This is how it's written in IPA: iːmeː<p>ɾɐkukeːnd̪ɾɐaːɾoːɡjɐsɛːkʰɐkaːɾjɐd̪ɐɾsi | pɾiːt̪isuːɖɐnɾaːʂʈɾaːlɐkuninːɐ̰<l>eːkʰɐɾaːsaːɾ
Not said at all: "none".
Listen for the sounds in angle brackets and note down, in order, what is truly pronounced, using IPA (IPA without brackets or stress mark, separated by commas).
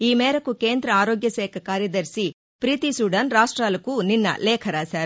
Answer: none, l